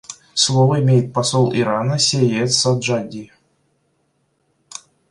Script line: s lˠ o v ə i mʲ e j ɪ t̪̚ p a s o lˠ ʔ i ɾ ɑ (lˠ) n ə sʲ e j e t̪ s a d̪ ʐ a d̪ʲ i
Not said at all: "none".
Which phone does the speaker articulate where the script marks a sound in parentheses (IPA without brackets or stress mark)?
none